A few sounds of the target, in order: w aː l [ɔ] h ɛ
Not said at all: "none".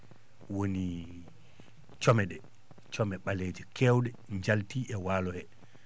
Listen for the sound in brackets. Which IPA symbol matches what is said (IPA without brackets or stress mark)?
ɔ